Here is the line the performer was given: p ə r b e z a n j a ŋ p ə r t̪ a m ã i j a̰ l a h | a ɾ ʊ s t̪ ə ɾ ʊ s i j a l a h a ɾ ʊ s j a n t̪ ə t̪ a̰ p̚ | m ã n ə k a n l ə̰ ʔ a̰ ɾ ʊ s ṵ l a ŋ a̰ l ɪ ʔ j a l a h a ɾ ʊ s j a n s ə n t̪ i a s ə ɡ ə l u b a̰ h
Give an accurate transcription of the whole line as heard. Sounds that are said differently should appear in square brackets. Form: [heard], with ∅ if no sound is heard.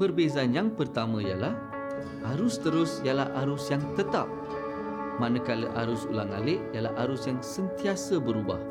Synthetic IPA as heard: p ə r b e z a n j a ŋ p ə r t̪ a m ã i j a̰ l a h | a ɾ ʊ s t̪ ə ɾ ʊ s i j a l a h a ɾ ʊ s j a [ŋ] t̪ ə t̪ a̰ p̚ | m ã n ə k a [∅] l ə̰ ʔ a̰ ɾ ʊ s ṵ l a ŋ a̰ l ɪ ʔ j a l a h a ɾ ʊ s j a [ŋ] s ə n t̪ i a s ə [b] ə [ɾ] u b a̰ h